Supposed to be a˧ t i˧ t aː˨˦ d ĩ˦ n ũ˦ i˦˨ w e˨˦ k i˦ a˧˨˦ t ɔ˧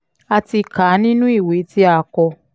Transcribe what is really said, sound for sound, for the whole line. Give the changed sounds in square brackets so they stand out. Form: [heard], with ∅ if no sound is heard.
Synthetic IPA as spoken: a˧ t i˧ [k] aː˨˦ [n] ĩ˦ n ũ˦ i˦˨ w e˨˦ [t] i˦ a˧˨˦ [k] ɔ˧